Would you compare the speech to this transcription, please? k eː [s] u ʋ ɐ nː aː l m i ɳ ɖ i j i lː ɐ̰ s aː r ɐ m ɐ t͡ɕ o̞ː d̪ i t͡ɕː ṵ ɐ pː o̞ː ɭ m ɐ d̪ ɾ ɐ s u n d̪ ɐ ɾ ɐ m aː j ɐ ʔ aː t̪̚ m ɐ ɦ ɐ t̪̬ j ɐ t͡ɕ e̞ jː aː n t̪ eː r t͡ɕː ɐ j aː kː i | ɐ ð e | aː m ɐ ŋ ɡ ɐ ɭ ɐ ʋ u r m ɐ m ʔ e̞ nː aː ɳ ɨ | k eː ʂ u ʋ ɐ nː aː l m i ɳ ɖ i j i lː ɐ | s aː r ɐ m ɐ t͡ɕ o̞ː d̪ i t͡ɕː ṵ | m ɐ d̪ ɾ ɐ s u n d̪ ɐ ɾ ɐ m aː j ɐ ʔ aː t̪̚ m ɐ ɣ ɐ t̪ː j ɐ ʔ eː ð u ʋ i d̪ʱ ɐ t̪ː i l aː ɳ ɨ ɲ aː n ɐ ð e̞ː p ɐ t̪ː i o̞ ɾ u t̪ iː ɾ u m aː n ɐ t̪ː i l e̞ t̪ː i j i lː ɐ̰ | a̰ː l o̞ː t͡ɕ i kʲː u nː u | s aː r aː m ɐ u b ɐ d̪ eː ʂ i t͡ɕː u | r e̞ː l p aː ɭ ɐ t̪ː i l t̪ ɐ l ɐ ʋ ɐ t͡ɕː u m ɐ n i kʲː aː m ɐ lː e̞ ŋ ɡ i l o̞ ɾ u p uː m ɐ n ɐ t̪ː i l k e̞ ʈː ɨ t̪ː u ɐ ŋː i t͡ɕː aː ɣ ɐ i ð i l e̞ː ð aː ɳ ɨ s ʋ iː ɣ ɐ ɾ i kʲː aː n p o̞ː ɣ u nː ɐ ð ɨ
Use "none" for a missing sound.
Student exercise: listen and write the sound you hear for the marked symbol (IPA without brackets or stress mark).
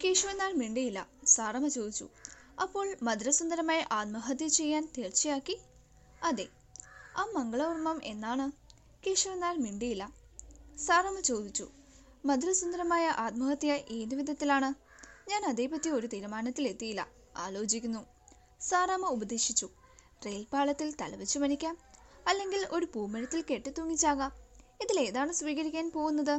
ʂ